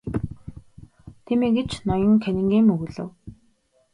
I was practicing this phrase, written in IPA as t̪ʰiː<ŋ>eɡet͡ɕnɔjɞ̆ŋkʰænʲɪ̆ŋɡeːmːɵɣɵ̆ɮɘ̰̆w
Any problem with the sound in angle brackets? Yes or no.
yes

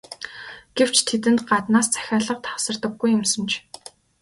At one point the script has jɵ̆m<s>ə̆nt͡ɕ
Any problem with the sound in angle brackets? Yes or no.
no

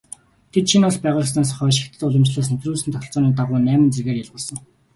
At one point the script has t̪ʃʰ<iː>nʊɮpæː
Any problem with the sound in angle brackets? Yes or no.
yes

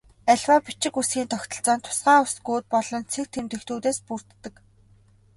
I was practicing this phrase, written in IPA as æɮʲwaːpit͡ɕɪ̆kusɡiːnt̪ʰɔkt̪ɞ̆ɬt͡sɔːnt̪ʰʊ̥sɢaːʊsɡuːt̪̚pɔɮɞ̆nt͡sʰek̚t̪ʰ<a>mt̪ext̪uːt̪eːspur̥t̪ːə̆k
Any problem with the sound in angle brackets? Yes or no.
yes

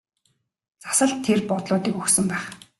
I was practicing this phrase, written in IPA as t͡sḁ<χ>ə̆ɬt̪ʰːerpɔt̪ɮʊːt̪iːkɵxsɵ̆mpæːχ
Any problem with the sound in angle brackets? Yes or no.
yes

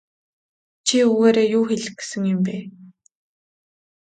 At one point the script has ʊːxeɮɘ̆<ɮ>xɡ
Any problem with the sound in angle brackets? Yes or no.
yes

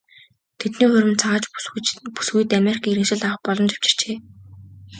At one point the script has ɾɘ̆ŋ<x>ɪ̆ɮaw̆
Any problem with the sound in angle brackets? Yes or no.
yes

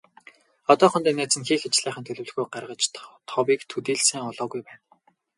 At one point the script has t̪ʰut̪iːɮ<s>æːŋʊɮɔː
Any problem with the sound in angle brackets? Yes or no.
no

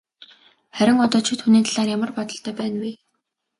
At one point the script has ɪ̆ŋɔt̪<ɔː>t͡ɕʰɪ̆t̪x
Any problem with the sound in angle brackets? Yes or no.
no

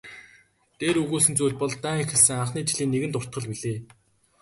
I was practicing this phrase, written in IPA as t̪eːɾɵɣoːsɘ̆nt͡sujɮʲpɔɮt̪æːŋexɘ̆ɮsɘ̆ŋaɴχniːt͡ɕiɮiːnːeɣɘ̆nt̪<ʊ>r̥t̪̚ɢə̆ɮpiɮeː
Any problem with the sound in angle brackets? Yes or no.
no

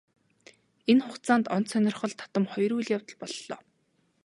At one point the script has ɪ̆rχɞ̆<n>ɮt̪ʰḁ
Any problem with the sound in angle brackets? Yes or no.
yes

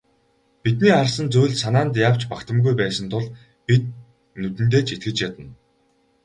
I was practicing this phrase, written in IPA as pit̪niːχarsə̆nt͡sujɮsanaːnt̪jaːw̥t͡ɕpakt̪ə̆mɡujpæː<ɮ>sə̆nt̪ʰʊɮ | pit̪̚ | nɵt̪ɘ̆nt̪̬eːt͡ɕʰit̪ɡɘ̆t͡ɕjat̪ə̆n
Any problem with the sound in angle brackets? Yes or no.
yes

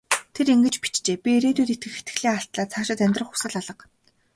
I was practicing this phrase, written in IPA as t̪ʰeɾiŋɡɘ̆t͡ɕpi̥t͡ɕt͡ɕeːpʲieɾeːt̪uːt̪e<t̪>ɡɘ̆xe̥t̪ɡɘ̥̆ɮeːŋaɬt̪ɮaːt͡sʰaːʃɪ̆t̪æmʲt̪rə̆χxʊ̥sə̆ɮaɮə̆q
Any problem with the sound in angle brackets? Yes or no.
no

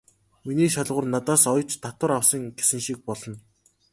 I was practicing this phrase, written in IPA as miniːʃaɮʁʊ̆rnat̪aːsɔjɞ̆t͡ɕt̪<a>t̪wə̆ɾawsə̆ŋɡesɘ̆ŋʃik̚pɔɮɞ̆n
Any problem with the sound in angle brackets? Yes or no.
no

